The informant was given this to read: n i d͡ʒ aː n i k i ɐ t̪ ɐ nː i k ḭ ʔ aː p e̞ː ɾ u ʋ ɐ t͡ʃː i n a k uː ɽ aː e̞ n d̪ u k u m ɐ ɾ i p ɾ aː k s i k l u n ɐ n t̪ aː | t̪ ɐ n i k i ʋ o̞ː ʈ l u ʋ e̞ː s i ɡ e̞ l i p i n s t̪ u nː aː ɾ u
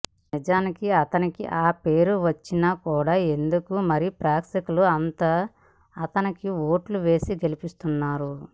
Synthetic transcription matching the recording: n i d͡ʒ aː n i k i ɐ t̪ ɐ n i k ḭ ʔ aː p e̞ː ɾ u ʋ ɐ t͡ʃː i n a k uː ɽ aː e̞ n d̪ u k u m ɐ ɾ i p ɾ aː k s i k l u ɐ n t̪ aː | t̪ ɐ n i k i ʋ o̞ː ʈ l u ʋ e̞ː s i ɡ e̞ l i p i s t̪ u nː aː ɾ u